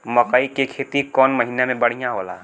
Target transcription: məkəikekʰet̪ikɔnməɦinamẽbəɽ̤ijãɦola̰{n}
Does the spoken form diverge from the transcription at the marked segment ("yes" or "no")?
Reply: yes